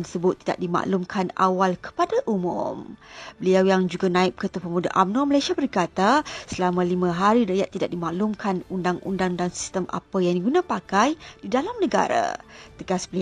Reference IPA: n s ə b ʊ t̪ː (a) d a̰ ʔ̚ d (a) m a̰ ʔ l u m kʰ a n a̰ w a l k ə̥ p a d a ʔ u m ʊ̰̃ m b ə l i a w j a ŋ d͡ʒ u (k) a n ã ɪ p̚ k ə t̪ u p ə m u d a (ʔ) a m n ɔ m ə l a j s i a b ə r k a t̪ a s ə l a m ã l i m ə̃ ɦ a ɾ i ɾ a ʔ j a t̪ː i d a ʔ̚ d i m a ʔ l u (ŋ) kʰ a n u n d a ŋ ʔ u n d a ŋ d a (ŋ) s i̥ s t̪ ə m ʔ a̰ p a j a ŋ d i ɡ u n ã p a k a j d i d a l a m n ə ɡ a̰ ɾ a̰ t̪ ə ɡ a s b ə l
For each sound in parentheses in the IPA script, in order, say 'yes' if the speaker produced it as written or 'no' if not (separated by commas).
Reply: no, no, no, yes, no, yes